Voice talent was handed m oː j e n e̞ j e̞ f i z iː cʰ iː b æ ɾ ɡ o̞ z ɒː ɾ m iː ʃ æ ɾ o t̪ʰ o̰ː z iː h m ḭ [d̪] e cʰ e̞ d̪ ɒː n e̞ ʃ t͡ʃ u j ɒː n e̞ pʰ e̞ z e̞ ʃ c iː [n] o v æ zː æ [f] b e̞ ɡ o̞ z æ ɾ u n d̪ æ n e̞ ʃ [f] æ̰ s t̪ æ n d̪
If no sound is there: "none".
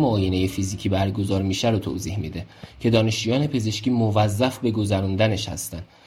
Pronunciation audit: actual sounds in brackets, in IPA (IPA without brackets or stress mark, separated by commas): d̪, m, f, h